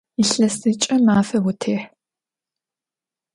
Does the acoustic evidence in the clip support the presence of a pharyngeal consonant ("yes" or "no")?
yes